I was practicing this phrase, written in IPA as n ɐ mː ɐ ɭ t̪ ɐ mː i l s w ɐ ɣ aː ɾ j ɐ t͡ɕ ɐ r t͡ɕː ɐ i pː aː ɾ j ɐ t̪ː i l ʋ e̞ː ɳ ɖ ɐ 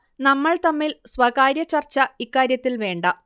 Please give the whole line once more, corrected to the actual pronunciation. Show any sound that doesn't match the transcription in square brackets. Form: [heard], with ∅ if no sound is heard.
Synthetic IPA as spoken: n ɐ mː ɐ ɭ t̪ ɐ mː i l s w ɐ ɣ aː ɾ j ɐ t͡ɕ ɐ r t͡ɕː ɐ i [kː] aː ɾ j ɐ t̪ː i l ʋ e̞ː ɳ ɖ ɐ

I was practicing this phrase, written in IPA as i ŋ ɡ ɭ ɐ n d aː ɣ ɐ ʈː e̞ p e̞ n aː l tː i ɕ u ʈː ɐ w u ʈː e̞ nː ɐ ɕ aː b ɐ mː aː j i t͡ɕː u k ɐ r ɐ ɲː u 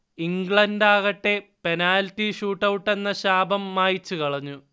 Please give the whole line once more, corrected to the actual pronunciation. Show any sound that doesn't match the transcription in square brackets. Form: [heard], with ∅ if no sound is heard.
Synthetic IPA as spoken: i ŋ ɡ ɭ ɐ n d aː ɣ ɐ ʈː e̞ p e̞ n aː l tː i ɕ [uː] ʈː ɐ w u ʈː e̞ nː ɐ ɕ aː b ɐ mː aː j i t͡ɕː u k ɐ [ɭ] ɐ ɲː u

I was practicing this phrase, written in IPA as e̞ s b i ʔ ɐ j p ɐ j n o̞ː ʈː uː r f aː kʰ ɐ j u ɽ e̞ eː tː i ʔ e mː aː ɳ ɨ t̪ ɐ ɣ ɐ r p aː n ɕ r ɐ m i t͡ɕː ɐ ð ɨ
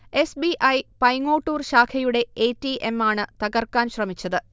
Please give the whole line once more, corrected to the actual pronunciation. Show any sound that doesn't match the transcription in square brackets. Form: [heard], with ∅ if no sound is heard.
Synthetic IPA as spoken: e̞ s b i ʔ ɐ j p ɐ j [ŋ] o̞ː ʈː uː r [ɕ] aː kʰ ɐ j u ɽ e̞ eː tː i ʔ e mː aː ɳ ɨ t̪ ɐ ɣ ɐ r [k] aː n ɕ r ɐ m i t͡ɕː ɐ ð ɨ

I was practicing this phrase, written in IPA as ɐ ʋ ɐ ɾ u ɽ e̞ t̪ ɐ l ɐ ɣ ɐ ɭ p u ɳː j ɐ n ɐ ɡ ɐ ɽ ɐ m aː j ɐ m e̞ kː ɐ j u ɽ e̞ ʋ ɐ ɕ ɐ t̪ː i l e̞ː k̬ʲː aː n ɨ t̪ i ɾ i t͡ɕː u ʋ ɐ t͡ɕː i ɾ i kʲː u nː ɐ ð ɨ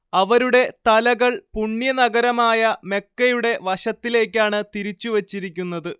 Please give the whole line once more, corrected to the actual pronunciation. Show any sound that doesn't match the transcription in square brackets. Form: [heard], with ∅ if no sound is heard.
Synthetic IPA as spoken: ɐ ʋ ɐ ɾ u ɽ e̞ t̪ ɐ l ɐ ɣ ɐ ɭ p u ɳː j ɐ n ɐ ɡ ɐ [ɾ] ɐ m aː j ɐ m e̞ kː ɐ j u ɽ e̞ ʋ ɐ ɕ ɐ t̪ː i l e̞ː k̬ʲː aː [ɳ] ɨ t̪ i ɾ i t͡ɕː u ʋ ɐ t͡ɕː i ɾ i kʲː u nː ɐ ð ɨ

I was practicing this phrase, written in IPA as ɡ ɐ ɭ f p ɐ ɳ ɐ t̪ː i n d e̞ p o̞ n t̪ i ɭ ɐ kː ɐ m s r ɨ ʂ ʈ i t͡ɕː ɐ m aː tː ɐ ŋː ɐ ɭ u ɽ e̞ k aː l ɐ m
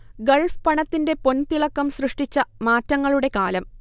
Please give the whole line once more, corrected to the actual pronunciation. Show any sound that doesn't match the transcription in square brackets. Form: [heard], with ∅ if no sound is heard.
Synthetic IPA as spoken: ɡ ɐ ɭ f p ɐ ɳ ɐ t̪ː i n d e̞ p o̞ n t̪ i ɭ ɐ kː ɐ m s r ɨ ʂ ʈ i t͡ɕː ɐ m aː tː ɐ ŋː ɐ ɭ u ɽ e̞ k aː l ɐ m

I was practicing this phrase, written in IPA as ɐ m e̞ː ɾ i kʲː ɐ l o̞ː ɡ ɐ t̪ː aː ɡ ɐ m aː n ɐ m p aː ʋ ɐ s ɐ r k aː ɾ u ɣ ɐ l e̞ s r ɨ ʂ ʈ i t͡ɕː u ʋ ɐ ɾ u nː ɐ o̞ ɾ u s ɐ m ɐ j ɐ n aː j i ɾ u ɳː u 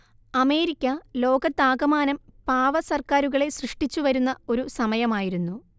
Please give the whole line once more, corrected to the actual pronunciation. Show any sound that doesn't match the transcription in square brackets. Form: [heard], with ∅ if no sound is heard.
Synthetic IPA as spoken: ɐ m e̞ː ɾ i kʲː ɐ l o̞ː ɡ ɐ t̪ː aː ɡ ɐ m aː n ɐ m p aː ʋ ɐ s ɐ r k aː ɾ u ɣ ɐ [ɭ] e̞ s r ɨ ʂ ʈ i t͡ɕː u ʋ ɐ ɾ u nː ɐ o̞ ɾ u s ɐ m ɐ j ɐ [m] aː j i ɾ u [nː] u

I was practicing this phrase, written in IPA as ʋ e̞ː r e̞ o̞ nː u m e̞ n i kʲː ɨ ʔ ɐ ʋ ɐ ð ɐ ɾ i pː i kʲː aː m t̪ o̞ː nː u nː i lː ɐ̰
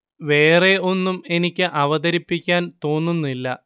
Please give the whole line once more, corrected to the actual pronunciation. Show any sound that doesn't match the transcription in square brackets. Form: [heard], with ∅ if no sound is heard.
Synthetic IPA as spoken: ʋ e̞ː r e̞ o̞ nː u m e̞ n i kʲː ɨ ʔ ɐ ʋ ɐ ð ɐ ɾ i pː i kʲː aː [n] t̪ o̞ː nː u nː i lː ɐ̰

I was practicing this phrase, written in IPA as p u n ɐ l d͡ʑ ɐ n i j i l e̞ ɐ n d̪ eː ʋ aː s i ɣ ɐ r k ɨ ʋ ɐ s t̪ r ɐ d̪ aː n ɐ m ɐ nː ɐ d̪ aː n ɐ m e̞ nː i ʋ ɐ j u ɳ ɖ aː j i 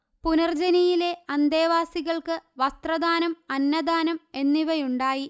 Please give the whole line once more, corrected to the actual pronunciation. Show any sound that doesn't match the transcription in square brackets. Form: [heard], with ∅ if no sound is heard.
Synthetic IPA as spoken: p u n ɐ [r] d͡ʑ ɐ n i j i l e̞ ɐ n d̪ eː ʋ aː s i ɣ ɐ [ɭ] k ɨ ʋ ɐ s t̪ r ɐ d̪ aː n ɐ m ɐ nː ɐ d̪ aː n ɐ m e̞ nː i ʋ ɐ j u ɳ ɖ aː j i

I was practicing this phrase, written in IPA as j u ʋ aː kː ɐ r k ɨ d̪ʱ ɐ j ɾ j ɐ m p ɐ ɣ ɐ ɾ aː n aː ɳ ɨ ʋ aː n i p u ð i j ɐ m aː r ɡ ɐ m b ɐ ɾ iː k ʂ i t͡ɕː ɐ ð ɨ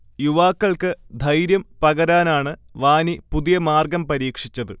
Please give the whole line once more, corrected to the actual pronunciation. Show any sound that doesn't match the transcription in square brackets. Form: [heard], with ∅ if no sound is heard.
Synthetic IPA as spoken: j u ʋ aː kː ɐ [ɭ] k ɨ d̪ʱ ɐ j ɾ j ɐ m p ɐ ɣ ɐ ɾ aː n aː ɳ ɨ ʋ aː n i p u ð i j ɐ m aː r ɡ ɐ m [p] ɐ ɾ iː k ʂ i t͡ɕː ɐ ð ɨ

